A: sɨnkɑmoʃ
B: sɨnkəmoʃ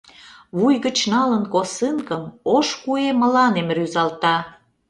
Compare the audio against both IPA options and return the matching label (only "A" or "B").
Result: B